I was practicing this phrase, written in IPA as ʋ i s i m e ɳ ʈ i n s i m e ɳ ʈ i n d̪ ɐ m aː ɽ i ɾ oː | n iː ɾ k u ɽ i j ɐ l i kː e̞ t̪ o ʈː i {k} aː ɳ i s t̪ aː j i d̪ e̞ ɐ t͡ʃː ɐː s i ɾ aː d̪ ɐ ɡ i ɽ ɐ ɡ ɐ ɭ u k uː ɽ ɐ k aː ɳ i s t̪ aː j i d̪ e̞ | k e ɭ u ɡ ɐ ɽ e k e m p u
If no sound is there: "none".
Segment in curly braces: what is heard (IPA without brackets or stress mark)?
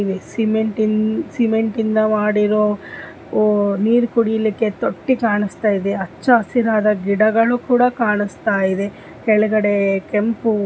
k